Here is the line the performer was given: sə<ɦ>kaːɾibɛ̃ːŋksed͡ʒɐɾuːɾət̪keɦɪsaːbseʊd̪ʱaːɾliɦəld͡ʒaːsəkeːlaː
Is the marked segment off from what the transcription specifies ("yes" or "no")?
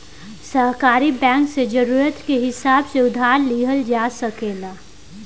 no